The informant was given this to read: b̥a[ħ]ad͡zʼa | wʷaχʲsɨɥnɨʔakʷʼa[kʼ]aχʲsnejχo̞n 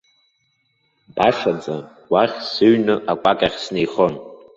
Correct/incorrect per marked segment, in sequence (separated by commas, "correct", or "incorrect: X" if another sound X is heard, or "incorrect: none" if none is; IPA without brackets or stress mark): incorrect: ʂ, correct